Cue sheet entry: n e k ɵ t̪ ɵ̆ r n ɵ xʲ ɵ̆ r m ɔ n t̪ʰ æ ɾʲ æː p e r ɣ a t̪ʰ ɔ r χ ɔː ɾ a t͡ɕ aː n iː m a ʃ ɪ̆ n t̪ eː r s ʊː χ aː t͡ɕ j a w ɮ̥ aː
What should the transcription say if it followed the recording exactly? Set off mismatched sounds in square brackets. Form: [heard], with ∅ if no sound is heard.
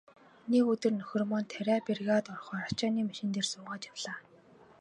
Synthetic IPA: n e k ɵ t̪ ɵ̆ r n ɵ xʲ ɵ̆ r m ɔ n t̪ʰ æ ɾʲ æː p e r ɣ a [t̪] ɔ r χ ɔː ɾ a t͡ɕ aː n iː m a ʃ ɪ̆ n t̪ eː r s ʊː [ʁ] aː t͡ɕ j a w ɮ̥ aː